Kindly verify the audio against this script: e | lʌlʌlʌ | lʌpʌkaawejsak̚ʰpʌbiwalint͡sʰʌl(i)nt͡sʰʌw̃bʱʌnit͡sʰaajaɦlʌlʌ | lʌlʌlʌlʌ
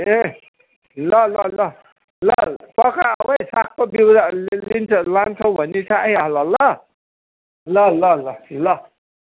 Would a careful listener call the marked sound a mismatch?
yes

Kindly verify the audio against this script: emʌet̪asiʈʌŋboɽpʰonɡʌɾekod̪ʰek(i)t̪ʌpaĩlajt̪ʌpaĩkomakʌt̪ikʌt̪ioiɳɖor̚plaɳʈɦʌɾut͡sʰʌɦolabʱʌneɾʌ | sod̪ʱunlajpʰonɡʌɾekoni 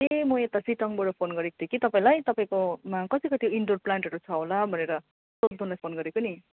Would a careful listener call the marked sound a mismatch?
no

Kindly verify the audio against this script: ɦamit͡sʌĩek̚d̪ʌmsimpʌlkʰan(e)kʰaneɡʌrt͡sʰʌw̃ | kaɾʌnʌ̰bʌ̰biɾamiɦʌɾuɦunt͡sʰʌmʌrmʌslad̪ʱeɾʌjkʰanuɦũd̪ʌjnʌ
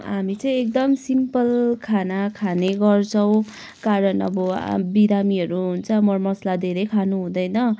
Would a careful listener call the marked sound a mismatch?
yes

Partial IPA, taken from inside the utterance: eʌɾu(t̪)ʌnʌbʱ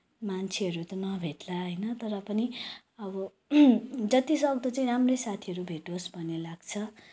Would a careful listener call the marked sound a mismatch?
no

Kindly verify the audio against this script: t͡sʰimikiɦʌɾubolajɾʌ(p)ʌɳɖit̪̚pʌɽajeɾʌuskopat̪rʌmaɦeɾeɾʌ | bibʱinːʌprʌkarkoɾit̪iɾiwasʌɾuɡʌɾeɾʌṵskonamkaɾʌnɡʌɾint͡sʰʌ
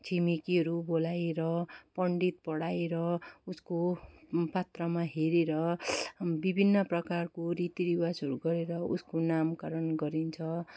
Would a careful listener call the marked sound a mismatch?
no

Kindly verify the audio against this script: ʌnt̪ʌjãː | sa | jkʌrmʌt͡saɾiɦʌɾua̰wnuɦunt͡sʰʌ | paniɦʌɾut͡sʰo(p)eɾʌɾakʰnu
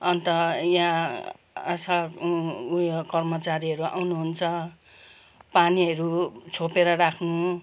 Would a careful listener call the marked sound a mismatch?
no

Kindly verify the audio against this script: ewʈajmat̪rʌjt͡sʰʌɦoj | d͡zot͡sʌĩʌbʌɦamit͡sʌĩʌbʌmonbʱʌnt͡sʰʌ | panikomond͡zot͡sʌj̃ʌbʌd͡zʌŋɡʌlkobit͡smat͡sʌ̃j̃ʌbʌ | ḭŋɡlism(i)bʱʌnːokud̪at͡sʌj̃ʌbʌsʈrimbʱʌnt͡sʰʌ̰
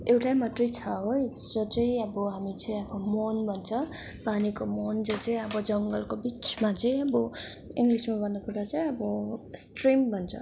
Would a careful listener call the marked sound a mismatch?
yes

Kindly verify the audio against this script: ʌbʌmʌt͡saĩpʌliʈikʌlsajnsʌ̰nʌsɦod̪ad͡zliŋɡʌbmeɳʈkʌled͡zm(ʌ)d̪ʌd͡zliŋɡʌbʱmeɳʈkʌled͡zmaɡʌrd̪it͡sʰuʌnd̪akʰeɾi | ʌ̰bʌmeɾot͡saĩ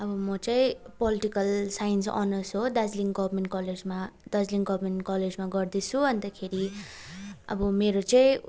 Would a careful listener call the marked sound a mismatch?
yes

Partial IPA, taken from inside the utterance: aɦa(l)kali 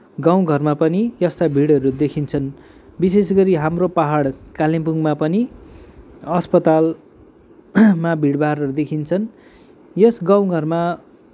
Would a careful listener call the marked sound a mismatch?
yes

